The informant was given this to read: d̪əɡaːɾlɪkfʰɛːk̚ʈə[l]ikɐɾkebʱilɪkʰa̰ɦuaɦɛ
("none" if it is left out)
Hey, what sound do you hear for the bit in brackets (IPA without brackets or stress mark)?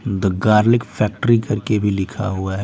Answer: ɾ